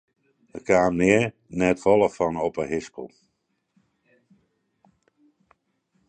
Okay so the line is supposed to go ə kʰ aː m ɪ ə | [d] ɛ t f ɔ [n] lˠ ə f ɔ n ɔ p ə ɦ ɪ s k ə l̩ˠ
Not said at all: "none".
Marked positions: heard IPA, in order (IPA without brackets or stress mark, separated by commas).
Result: n, none